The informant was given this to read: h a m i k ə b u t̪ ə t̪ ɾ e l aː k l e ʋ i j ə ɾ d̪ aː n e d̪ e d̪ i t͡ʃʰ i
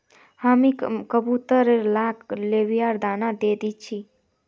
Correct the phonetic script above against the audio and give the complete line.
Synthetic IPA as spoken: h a m i k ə b u t̪ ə ɾ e l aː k l e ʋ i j a ɾ d̪ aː n a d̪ e d̪ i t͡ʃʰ i